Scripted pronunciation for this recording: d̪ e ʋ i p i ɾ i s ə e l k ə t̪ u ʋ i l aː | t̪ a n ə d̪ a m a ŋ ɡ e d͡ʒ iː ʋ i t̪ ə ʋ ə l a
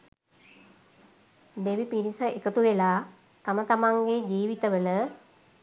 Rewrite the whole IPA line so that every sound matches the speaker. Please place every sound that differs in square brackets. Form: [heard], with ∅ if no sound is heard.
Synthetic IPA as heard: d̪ e ʋ i p i ɾ i s ə e [∅] k ə t̪ u ʋ [e] l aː | t̪ a [m] ə [t̪] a m a ŋ ɡ e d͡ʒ iː ʋ i t̪ ə ʋ ə l [ə]